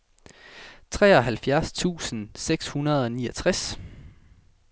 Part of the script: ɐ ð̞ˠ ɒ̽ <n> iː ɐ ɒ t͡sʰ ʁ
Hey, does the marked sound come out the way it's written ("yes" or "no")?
yes